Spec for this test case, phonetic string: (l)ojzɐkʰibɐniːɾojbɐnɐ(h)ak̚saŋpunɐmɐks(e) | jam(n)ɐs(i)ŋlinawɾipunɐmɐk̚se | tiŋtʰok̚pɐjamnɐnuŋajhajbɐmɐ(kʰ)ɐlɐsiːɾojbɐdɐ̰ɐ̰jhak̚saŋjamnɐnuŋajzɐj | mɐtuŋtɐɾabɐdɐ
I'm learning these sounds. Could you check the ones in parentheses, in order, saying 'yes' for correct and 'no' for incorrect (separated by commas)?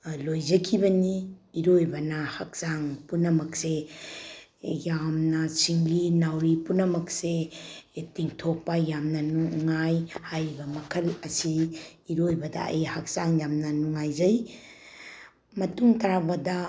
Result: yes, yes, yes, yes, yes, yes